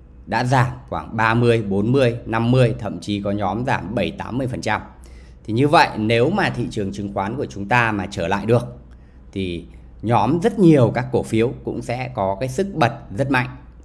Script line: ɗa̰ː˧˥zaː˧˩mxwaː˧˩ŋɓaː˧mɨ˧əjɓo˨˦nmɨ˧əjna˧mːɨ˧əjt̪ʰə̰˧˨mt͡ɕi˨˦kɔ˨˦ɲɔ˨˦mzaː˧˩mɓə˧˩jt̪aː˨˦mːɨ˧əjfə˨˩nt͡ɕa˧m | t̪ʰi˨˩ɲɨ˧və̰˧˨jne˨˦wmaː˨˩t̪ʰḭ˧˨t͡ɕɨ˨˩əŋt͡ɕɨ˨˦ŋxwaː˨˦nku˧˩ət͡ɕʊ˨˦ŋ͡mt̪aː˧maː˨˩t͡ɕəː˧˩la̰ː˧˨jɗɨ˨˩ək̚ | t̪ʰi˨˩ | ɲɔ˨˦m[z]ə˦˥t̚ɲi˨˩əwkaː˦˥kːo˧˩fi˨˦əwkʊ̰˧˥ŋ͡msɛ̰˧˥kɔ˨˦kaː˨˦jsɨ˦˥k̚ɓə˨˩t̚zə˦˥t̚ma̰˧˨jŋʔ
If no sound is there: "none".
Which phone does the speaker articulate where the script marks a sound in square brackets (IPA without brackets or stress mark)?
z